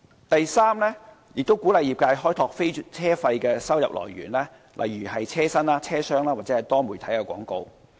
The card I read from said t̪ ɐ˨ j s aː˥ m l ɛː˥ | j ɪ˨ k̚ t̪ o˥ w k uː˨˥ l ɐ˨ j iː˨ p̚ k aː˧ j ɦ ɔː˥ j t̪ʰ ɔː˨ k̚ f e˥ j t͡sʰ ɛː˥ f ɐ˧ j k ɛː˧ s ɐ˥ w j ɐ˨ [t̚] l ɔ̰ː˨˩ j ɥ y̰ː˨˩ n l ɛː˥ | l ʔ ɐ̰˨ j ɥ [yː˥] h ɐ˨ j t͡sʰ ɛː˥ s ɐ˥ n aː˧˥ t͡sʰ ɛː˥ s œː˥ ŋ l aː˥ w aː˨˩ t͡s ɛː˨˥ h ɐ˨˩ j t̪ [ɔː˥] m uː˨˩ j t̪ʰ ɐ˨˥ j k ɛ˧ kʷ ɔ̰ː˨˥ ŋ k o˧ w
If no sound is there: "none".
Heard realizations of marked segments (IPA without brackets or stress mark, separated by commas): p̚, yː˨˩, ɔː˥